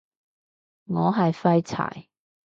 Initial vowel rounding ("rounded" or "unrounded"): rounded